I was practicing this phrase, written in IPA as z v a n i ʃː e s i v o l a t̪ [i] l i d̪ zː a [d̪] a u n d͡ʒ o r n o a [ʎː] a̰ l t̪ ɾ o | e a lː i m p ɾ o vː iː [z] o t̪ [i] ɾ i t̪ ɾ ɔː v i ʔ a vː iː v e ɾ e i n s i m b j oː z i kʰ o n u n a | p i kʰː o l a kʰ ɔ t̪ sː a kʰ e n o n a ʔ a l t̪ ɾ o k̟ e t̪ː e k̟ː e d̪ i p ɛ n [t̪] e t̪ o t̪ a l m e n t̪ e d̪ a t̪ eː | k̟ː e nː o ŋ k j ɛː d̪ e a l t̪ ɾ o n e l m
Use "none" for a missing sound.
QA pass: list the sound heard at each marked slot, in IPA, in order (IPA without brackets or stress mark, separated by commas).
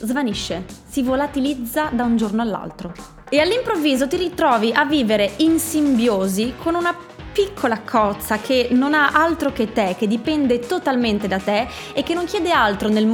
i, d̪, lː, z, i, d̪